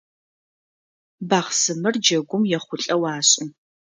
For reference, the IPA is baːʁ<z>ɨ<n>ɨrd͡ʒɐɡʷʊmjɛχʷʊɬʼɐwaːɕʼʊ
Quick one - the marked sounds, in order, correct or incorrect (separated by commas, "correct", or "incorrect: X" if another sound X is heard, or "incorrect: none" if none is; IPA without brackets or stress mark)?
incorrect: s, incorrect: m